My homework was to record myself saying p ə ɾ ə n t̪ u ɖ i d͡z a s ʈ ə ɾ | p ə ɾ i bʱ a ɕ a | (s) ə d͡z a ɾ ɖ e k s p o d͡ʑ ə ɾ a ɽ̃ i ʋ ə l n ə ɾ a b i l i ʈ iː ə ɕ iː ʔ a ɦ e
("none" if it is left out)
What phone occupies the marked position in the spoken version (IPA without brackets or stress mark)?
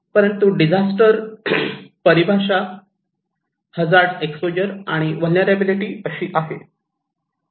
h